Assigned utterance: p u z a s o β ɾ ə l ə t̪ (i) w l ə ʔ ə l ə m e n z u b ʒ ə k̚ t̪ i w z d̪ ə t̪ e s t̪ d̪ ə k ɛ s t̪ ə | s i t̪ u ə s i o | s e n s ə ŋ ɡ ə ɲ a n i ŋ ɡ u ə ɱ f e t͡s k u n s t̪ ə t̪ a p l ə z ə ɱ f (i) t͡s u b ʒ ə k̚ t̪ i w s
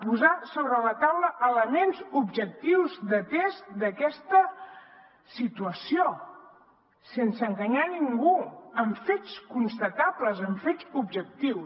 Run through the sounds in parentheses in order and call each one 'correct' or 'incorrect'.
incorrect, incorrect

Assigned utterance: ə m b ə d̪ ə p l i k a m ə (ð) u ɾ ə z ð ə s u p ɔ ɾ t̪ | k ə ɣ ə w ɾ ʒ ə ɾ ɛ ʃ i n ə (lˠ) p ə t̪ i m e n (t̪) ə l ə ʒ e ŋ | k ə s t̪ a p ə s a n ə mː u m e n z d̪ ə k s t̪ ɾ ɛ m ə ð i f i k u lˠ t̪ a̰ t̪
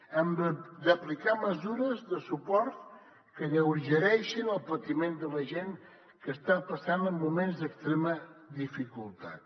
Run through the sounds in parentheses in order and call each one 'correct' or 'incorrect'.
incorrect, correct, incorrect

